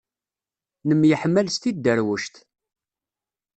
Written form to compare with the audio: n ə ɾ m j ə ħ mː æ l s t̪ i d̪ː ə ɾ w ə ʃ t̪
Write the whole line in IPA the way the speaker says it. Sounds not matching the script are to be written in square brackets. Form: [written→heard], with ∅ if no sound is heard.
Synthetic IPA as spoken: n ə [ɾ→∅] m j ə ħ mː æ l s t̪ i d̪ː ə ɾ w ə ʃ t̪

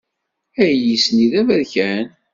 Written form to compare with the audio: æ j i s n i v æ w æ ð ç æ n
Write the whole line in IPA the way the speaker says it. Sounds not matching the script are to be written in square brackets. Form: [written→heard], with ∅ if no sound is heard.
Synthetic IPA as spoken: æ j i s n i [v→ð] æ [w→v] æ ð ç æ n

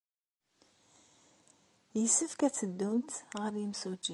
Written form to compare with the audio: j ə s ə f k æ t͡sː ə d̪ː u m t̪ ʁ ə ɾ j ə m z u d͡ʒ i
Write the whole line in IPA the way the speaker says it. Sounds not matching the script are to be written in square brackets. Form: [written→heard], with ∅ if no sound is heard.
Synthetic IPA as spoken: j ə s ə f k æ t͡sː ə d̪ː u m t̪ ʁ ə ɾ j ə m [z→s] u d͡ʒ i

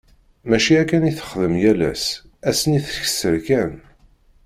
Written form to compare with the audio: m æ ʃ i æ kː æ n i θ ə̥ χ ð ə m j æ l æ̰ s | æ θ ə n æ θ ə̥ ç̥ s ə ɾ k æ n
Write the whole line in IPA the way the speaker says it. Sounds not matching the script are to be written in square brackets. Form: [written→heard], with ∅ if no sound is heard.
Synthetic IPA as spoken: m æ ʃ i æ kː æ n i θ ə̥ χ ð ə m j æ l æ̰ s | æ [θ→s] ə n [æ→i] θ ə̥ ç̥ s ə ɾ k æ n

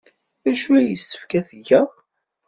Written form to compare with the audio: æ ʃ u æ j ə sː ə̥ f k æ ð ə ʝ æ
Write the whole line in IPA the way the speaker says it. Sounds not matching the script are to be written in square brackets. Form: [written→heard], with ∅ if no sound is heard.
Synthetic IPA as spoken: æ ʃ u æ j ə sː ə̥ f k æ [ð→θ] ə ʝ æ

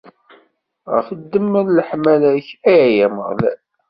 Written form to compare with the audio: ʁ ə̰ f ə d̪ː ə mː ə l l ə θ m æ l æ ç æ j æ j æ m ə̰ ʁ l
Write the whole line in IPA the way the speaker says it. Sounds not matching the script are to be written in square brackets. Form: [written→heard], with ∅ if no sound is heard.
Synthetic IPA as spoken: ʁ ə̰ f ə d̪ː ə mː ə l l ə [θ→ħ] m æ l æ ç æ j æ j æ m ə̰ ʁ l

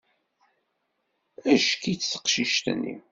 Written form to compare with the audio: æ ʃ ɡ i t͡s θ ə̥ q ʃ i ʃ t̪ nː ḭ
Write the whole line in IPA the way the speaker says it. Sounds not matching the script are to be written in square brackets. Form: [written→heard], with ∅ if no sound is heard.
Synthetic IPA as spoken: æ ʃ [ɡ→k] i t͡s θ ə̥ q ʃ i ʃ t̪ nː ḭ

